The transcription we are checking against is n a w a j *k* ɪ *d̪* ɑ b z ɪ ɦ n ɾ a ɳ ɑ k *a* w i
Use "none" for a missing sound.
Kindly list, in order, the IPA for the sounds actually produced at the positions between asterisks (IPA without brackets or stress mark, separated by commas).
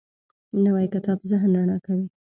k, t̪, a